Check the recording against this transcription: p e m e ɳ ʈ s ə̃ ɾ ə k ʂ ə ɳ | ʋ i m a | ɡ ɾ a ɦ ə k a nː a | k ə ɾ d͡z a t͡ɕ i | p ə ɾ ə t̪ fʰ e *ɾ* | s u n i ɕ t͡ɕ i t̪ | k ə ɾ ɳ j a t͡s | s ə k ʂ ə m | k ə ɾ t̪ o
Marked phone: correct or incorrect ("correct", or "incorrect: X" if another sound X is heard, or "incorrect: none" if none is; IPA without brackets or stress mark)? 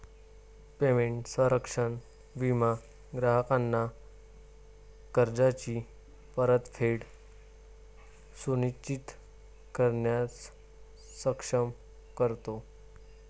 incorrect: ɽ